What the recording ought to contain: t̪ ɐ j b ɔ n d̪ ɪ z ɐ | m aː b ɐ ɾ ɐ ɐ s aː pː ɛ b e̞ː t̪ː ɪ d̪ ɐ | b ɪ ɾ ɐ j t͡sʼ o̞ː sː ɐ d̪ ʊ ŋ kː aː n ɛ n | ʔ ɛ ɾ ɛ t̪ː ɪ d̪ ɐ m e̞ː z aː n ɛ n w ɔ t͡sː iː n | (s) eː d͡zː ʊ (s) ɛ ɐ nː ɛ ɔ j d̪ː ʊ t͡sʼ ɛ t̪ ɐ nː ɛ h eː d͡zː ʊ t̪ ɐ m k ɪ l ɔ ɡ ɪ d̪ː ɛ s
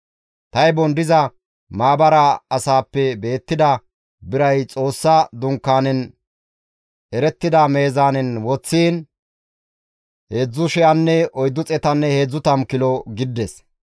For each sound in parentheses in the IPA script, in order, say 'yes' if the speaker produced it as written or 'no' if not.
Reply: no, no

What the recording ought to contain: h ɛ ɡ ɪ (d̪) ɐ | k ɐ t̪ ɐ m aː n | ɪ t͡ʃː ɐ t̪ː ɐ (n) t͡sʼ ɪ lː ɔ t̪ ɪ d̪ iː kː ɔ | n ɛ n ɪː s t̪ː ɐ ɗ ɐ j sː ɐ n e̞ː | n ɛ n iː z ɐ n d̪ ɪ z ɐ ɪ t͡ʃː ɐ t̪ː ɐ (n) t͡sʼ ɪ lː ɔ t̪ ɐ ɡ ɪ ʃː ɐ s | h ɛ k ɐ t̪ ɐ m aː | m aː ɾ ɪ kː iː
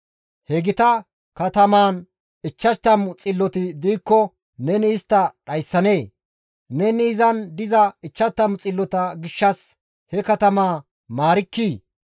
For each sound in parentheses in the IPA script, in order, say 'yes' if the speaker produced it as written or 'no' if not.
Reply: no, no, no

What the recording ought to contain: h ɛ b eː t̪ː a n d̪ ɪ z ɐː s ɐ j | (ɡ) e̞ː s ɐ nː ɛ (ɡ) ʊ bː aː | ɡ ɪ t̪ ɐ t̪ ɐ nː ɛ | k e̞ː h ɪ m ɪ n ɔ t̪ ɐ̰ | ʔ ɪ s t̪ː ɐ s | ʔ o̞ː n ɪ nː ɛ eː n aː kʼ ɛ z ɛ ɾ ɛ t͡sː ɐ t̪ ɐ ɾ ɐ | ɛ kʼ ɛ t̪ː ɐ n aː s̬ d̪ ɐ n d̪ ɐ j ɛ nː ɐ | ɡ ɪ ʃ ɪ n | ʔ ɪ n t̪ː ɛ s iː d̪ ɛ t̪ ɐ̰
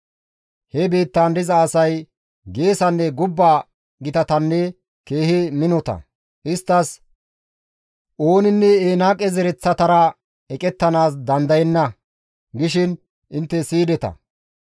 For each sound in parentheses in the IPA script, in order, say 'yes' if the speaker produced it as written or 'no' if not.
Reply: yes, yes

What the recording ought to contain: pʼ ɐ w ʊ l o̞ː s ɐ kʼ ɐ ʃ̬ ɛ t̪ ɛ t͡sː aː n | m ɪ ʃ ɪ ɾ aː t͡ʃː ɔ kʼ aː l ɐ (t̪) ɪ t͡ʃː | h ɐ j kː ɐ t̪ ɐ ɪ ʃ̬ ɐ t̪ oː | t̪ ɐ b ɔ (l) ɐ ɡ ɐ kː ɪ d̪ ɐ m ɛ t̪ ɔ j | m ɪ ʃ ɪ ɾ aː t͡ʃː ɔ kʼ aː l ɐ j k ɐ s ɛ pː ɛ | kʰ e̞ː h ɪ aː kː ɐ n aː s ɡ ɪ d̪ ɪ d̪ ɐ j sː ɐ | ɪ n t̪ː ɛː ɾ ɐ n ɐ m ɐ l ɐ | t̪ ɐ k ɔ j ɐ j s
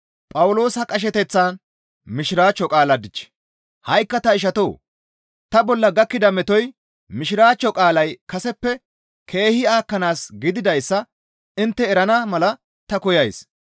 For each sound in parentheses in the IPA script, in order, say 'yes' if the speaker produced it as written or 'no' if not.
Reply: no, no

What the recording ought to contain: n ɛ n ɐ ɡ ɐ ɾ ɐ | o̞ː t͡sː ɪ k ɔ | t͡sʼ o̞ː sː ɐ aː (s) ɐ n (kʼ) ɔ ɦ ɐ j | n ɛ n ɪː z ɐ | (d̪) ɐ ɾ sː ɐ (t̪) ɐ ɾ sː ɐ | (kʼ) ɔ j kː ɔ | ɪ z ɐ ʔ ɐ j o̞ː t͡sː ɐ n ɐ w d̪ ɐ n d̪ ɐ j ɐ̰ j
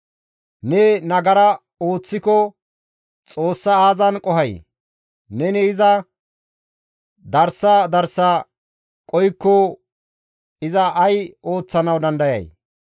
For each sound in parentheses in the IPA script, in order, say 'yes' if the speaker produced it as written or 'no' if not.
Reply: no, yes, yes, no, yes

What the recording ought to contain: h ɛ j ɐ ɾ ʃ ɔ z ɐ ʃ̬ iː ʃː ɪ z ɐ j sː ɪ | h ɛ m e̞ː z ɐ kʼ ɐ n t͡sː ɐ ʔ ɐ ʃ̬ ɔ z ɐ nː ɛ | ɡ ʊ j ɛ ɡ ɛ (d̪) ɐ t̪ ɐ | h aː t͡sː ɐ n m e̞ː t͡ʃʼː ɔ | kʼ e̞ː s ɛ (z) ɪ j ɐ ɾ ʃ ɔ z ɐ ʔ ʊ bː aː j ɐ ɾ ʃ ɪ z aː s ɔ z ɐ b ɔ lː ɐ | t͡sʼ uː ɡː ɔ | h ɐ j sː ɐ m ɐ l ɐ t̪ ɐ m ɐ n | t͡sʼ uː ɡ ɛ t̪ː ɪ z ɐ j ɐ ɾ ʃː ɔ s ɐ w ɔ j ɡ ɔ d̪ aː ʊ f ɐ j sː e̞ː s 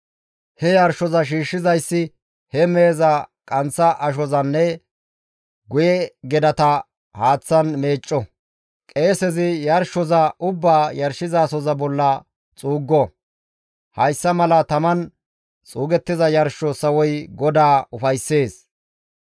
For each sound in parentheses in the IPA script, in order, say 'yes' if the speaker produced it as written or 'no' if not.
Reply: yes, yes

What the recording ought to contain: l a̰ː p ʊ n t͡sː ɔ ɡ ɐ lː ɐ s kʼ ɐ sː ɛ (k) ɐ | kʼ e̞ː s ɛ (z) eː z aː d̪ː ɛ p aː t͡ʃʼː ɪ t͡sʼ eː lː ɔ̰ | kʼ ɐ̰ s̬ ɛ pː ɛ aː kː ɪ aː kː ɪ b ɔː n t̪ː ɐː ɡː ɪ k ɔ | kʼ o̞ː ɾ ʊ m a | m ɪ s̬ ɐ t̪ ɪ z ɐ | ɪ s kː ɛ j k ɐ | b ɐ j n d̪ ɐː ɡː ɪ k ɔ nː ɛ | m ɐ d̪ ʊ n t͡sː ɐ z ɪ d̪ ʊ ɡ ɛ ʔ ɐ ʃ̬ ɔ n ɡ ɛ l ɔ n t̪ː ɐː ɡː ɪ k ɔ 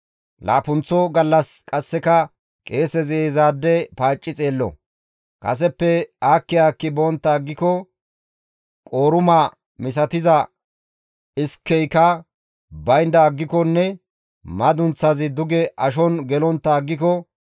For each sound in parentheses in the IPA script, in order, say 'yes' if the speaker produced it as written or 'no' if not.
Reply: yes, yes

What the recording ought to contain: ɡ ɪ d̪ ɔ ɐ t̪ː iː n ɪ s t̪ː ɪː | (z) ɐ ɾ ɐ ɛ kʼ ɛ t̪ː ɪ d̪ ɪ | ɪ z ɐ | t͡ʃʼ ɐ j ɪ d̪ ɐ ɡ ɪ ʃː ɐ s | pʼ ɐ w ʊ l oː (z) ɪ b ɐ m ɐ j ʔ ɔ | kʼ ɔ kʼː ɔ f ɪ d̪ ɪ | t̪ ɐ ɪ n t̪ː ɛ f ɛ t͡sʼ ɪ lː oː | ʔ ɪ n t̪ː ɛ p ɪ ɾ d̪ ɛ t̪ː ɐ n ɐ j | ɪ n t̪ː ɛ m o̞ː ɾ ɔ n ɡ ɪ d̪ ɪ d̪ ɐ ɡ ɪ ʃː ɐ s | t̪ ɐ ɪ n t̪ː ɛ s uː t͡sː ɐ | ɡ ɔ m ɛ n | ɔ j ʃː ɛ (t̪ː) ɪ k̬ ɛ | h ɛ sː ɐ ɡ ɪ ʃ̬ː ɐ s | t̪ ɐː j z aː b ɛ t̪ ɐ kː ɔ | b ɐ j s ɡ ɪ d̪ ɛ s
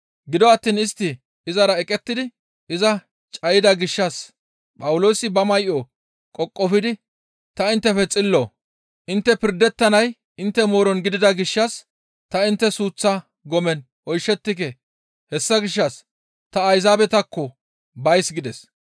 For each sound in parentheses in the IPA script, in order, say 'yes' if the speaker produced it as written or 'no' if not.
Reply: yes, no, yes

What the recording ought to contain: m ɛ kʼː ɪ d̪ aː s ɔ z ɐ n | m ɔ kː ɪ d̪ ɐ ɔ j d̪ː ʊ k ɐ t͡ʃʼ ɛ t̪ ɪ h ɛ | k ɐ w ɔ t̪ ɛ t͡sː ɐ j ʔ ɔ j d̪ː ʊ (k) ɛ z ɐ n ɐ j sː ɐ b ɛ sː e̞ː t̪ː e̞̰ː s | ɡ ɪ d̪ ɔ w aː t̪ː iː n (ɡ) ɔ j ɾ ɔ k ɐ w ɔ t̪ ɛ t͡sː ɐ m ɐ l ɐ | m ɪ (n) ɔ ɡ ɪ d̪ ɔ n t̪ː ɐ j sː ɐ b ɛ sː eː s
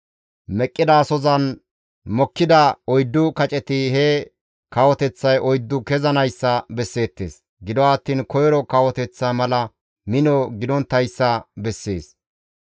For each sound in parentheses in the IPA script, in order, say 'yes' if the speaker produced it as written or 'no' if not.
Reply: yes, no, yes

